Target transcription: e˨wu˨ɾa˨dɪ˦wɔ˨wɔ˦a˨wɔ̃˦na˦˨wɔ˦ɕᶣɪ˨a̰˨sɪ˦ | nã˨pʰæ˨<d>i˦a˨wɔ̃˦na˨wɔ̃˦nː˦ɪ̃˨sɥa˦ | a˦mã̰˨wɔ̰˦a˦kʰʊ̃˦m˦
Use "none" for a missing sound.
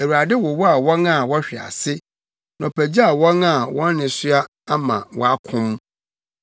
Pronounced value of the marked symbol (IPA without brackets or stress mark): d͡ʑ